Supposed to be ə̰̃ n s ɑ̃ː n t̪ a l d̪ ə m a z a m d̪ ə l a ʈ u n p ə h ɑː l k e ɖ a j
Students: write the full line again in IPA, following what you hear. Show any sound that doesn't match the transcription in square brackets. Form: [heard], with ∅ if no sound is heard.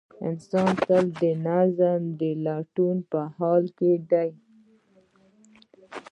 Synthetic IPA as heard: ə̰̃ n s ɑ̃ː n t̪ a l d̪ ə [n] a z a m d̪ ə l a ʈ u n p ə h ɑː l k e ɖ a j